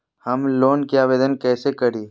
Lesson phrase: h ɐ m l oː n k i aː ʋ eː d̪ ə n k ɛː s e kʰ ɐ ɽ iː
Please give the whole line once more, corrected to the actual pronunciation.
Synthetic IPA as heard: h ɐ m l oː n k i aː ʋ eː d̪ ə n k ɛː s e k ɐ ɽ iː